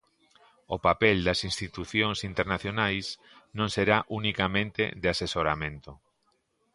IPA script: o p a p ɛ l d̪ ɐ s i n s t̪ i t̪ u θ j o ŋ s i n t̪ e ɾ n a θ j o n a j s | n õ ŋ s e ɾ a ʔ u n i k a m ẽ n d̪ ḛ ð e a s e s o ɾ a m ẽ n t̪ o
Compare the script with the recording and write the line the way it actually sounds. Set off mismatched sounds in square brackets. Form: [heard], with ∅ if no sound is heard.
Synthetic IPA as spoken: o p a p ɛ l d̪ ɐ s i n s t̪ i t̪ u θ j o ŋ s i n t̪ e ɾ n a θ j o n a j s | n õ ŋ s e ɾ a ʔ u n i k a m ẽ n [t̪] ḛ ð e a s e s o ɾ a m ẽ n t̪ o